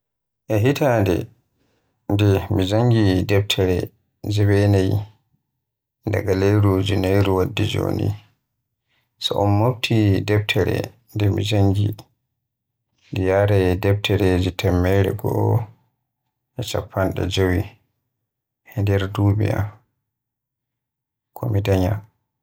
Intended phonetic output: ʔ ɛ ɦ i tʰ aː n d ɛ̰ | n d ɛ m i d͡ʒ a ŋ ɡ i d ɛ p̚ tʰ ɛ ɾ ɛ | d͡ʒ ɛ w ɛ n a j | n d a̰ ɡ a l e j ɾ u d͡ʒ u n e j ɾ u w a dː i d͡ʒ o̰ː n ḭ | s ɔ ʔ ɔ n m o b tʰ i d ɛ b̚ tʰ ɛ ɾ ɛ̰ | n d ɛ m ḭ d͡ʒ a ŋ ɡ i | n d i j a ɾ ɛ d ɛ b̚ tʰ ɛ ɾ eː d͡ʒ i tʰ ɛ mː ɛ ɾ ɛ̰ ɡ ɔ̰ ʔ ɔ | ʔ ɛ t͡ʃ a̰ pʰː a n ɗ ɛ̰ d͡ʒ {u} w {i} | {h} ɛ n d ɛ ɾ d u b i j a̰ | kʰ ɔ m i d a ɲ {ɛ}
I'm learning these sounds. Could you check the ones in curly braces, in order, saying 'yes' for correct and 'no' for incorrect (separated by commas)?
no, yes, yes, no